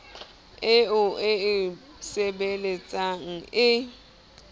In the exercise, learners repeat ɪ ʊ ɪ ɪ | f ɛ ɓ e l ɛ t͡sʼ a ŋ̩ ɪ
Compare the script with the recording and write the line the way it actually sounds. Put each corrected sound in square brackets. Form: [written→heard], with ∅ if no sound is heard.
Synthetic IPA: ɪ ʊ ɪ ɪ | [f→s] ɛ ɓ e l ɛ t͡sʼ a ŋ̩ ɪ